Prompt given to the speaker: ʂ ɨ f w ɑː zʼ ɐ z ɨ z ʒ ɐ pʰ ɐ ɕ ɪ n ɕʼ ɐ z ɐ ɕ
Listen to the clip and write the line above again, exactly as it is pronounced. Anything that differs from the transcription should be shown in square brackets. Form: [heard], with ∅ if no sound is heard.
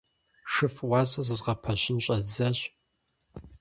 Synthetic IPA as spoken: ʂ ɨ f w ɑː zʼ ɐ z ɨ z [ʁ] ɐ pʰ ɐ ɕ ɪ n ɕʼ ɐ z ɐ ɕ